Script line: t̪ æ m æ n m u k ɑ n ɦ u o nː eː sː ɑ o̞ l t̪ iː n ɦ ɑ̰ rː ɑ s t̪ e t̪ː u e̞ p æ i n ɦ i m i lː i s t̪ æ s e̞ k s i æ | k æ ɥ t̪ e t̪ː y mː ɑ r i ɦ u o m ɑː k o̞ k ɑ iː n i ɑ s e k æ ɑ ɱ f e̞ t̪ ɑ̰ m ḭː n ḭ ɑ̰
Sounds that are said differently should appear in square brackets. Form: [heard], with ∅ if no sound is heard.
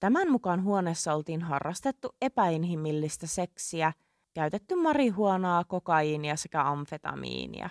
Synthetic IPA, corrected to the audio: t̪ æ m æ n m u k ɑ n ɦ u o [n] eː sː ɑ o̞ l t̪ iː n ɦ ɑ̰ rː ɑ s t̪ e t̪ː u e̞ p æ i n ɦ i m i lː i s t̪ æ s e̞ k s i æ | k æ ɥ t̪ e t̪ː y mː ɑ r i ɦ u o [n] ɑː k o̞ k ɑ iː n i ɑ s e k æ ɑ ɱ f e̞ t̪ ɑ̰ m ḭː n ḭ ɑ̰